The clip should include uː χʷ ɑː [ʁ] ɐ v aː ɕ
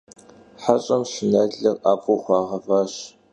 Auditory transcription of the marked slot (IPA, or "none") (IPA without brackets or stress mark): ʁ